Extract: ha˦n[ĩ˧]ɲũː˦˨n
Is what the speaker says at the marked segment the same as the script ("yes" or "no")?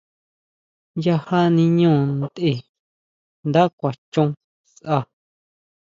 yes